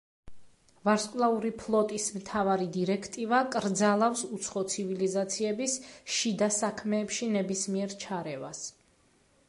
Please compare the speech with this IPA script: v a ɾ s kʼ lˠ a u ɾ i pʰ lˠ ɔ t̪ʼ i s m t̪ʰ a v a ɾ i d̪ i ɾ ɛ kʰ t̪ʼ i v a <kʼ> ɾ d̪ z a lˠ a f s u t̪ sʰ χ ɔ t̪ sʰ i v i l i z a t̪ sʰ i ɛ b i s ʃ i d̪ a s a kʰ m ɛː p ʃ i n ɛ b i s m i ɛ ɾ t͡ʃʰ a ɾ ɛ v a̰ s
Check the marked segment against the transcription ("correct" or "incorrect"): correct